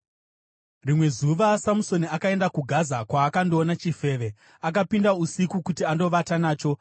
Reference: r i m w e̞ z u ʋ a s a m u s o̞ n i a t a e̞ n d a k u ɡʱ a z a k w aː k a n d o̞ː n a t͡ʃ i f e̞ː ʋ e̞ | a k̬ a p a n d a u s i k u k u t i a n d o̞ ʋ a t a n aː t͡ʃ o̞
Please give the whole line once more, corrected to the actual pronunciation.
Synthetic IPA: r i m w e̞ z u ʋ a s a m u s o̞ n i a k a e̞ n d a k u ɡʱ a z a k w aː k a n d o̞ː n a t͡ʃ i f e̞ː ʋ e̞ | a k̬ a p i n d a u s i k u k u t i a n d o̞ ʋ a t a n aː t͡ʃ o̞